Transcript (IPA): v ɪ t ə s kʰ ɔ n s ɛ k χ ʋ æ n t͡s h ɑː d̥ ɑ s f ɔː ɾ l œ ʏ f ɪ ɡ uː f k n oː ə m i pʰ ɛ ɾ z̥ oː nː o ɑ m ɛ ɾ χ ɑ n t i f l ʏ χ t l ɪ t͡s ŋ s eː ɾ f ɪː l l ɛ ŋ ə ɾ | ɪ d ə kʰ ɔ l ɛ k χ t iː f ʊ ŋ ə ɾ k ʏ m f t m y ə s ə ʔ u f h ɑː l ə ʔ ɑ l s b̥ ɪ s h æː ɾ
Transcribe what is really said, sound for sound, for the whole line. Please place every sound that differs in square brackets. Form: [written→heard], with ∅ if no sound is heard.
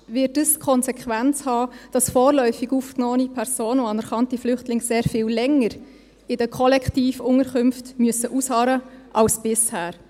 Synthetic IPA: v ɪ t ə s kʰ ɔ n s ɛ k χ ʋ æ n t͡s h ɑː d̥ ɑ s f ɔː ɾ l œ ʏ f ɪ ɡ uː f k n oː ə [m→n] i pʰ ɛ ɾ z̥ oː [nː→n] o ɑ [m→n] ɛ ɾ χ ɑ n t i f l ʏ χ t l ɪ [t͡s→∅] ŋ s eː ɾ f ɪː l l ɛ ŋ ə ɾ | ɪ d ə kʰ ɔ l ɛ k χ t iː f ʊ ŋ ə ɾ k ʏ m f t m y ə s ə ʔ u [f→s] h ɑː [l→ɾ] ə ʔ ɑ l s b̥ ɪ s h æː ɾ